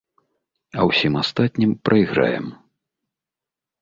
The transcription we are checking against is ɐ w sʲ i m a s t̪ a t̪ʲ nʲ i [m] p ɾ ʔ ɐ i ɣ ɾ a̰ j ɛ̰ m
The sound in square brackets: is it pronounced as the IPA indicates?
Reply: yes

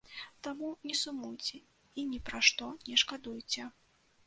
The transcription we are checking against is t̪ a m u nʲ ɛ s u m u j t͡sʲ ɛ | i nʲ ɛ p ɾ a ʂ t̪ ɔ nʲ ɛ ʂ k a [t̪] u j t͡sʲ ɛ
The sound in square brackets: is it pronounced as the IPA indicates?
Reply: no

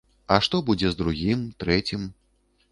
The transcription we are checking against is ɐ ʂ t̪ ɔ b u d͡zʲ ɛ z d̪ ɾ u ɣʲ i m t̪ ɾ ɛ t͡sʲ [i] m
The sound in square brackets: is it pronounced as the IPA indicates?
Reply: yes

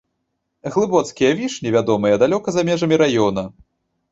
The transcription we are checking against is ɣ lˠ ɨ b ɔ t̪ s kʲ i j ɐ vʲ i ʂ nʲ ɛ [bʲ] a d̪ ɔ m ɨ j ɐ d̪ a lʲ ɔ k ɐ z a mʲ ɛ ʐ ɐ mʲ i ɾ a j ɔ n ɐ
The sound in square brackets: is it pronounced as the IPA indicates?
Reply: no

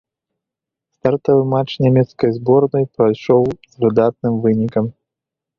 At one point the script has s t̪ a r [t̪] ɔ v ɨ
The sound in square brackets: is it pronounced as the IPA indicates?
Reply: yes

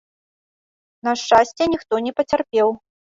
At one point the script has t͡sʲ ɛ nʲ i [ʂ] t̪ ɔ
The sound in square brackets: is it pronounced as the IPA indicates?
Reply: no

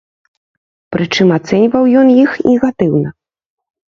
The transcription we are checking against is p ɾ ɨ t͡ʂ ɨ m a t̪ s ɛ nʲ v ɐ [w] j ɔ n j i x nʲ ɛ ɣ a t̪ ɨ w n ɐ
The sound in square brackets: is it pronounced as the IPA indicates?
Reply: yes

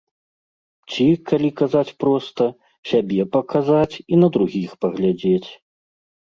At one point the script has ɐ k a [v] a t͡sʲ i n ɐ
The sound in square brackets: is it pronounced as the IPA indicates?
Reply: no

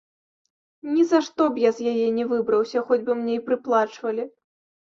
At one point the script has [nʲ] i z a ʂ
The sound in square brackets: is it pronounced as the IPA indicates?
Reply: yes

